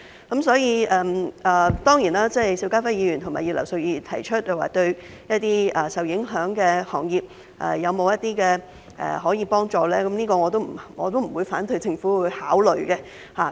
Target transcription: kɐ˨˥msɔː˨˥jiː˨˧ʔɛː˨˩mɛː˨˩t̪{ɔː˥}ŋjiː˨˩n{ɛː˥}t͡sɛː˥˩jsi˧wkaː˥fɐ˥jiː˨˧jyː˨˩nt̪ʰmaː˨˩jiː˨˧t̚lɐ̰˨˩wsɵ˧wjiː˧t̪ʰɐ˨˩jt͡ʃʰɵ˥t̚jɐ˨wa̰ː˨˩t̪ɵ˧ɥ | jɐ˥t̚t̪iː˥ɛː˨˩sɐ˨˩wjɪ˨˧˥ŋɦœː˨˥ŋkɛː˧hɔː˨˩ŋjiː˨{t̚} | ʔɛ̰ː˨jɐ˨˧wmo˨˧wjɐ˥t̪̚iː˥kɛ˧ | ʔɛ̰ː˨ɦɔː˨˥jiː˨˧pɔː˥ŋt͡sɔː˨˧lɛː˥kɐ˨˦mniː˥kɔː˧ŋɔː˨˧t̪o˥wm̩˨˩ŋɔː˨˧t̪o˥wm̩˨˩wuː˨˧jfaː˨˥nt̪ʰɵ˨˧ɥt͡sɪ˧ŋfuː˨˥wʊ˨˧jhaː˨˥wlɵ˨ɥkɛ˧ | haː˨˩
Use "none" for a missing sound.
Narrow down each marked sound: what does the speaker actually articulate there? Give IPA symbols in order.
ɔː˥, aː˥, p̚

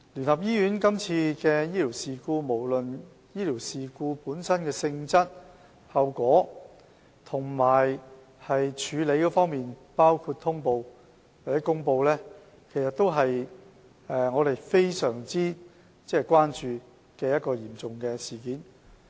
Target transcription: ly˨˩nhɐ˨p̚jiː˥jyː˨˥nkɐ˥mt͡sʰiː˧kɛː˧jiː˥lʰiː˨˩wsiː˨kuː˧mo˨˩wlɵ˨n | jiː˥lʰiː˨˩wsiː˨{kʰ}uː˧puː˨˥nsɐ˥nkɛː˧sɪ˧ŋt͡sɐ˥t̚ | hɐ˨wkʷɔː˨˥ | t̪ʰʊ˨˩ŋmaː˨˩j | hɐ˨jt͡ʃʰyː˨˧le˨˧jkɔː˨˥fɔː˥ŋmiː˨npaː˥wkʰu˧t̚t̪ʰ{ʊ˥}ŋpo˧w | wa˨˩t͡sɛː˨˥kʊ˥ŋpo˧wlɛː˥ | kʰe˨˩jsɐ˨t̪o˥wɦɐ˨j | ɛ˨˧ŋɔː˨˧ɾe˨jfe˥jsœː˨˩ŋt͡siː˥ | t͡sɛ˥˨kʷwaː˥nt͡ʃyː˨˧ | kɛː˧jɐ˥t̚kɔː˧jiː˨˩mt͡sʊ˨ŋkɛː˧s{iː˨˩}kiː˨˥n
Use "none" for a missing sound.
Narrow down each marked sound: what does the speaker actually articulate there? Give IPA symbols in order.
k, ʊ˥, iː˨˩

